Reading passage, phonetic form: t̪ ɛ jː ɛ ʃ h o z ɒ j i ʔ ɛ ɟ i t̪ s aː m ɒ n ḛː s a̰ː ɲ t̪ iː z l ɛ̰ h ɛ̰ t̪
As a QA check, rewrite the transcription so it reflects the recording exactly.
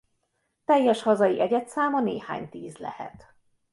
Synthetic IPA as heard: t̪ ɛ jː ɛ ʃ h ɒ z ɒ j i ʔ ɛ ɟ ɛ t̪ s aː m ɒ n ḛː h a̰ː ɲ t̪ iː z l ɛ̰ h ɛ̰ t̪